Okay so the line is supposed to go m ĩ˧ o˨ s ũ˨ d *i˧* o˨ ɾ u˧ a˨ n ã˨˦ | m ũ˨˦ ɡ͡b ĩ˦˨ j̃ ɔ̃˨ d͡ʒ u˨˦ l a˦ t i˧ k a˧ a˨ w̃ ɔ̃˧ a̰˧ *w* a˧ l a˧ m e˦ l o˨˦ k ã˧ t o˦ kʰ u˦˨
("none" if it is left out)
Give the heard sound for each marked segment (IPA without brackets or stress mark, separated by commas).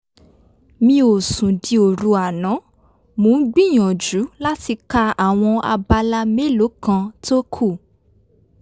i˧, b